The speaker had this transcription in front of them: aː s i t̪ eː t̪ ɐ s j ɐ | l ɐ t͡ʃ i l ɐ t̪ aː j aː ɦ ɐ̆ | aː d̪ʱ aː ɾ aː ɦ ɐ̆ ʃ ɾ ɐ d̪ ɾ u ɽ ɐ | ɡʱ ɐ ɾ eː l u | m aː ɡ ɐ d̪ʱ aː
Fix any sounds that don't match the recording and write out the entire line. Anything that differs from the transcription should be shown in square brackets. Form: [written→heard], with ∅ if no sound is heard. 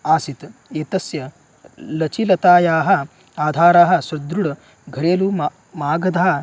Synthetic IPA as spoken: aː s i t̪ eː t̪ ɐ s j ɐ | l ɐ t͡ʃ i l ɐ t̪ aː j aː ɦ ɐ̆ | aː d̪ʱ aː ɾ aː ɦ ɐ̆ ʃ ɾ ɐ d̪ ɾ u ɽ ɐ | ɡʱ ɐ ɾ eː l u | m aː ɡ ɐ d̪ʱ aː